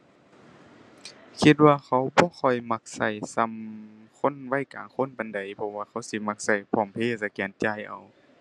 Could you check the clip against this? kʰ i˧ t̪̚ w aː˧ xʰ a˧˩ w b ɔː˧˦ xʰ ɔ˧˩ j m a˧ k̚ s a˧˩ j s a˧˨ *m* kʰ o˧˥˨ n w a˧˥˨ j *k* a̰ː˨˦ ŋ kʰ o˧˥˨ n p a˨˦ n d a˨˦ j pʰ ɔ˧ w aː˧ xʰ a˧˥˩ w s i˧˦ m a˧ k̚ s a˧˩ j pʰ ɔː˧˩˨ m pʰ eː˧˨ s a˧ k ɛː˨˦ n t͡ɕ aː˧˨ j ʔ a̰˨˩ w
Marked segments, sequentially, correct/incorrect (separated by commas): correct, correct